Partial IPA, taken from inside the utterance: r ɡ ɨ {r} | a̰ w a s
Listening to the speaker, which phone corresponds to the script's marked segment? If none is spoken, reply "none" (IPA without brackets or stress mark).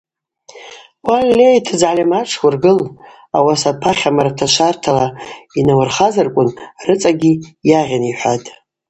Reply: l